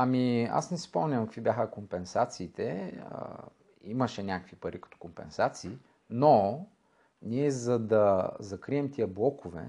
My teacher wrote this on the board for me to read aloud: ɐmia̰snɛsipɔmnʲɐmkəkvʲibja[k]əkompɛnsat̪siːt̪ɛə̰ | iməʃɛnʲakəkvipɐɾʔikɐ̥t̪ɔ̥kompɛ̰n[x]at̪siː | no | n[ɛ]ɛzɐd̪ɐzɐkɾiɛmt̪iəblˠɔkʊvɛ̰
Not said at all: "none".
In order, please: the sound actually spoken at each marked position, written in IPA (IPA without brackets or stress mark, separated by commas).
x, s, i